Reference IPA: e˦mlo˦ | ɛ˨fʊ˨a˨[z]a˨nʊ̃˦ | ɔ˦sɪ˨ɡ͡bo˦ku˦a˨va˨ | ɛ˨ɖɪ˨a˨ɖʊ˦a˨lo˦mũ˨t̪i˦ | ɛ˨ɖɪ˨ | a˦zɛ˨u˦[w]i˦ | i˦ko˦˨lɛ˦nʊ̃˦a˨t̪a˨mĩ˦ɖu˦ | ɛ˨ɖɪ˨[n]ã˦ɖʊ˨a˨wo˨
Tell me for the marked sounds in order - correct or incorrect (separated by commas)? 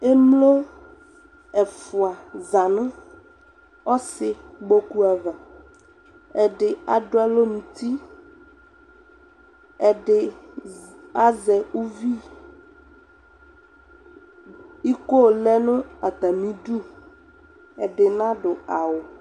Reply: correct, incorrect, correct